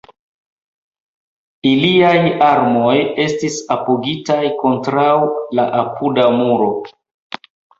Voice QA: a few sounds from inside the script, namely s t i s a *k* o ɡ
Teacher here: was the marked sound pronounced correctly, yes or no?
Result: no